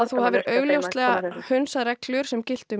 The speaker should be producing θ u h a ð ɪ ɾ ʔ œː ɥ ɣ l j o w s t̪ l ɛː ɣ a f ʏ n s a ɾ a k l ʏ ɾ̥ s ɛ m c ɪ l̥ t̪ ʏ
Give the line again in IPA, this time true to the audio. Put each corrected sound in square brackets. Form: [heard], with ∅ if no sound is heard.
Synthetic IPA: θ u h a [v] ɪ ɾ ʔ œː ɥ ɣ l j o w s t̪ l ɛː ɣ a [h] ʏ n s a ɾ [ɛ] k l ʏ ɾ̥ s ɛ m c ɪ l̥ t̪ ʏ